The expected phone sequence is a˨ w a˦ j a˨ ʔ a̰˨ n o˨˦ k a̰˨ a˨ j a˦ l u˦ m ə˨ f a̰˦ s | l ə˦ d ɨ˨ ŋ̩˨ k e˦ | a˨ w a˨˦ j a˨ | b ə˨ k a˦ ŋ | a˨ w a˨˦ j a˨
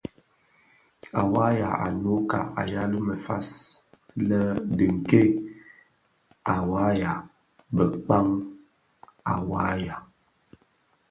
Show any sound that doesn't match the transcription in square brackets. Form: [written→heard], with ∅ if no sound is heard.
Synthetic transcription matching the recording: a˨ w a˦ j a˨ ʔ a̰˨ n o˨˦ k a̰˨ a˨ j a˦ l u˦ m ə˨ f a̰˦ s | l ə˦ d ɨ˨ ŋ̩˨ k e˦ | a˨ w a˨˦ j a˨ | b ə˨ [k→k͡p] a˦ ŋ | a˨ w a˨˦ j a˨